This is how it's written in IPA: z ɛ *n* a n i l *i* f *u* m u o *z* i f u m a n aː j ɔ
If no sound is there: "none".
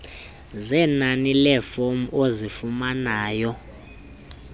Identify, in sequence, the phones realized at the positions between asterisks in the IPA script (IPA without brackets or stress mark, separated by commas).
n, ɛ, o, z